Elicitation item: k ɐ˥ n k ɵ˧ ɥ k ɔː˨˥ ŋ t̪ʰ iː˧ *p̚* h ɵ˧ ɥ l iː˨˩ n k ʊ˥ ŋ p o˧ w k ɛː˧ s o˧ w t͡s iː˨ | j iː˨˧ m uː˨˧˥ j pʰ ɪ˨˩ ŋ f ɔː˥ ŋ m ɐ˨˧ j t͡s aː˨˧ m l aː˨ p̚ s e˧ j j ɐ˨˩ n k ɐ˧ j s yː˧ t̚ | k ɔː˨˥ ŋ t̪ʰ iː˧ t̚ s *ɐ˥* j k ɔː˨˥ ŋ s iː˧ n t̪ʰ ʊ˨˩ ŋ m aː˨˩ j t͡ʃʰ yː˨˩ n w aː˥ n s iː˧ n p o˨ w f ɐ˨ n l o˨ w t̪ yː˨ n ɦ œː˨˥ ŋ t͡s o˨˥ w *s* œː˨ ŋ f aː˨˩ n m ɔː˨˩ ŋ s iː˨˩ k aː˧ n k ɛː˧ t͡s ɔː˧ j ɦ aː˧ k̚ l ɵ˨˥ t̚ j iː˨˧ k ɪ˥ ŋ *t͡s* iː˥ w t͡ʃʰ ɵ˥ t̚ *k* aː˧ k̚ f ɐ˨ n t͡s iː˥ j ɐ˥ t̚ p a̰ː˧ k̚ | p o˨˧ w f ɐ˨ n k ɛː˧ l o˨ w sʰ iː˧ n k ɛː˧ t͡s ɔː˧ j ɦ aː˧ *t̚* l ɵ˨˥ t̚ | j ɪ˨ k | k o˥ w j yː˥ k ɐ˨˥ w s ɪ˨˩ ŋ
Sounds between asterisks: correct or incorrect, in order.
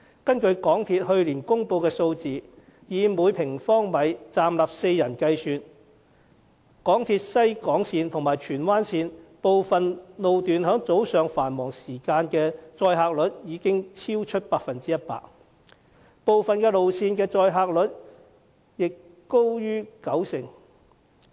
incorrect, correct, correct, incorrect, incorrect, incorrect

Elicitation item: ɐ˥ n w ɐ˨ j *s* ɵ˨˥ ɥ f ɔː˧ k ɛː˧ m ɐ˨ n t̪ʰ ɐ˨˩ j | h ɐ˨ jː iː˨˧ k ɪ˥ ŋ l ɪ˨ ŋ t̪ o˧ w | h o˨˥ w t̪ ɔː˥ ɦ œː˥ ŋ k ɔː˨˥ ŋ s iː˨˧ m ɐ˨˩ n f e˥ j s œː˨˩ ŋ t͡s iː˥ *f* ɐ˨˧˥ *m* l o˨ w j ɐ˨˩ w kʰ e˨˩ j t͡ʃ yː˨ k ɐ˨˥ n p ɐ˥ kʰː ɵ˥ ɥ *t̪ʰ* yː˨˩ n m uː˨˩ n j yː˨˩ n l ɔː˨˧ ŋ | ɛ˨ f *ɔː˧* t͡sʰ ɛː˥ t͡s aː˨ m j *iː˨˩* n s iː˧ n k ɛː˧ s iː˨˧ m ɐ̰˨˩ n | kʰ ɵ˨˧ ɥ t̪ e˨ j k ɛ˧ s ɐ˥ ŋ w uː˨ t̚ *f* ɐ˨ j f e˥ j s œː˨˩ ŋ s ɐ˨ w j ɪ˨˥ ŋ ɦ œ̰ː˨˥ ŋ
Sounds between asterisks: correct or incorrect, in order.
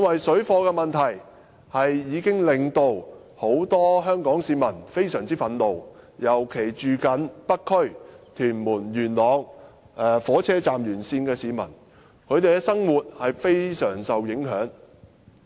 correct, correct, incorrect, correct, incorrect, incorrect, incorrect

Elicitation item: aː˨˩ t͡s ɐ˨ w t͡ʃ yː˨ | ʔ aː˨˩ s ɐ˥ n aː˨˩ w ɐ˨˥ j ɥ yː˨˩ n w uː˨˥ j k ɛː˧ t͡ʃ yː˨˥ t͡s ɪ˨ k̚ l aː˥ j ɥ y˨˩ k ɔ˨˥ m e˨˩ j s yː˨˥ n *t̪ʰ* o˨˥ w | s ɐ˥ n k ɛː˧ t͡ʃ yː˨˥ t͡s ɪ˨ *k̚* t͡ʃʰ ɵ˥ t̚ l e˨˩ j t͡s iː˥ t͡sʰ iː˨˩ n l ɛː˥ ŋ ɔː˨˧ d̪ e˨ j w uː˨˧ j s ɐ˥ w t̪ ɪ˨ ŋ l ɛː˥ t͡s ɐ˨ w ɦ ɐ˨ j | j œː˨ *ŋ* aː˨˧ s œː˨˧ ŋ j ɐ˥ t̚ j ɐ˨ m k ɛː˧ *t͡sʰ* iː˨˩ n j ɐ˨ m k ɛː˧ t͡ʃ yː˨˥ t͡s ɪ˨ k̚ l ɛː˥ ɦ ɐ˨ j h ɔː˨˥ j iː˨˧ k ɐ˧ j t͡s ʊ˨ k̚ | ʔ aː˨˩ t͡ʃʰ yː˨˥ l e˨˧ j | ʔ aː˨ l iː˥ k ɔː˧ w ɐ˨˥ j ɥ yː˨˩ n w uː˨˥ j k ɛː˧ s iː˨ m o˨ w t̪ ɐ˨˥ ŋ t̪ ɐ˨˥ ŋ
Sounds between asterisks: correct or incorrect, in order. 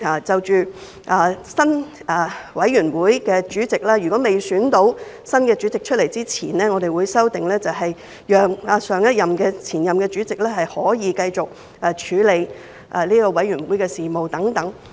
incorrect, correct, correct, correct

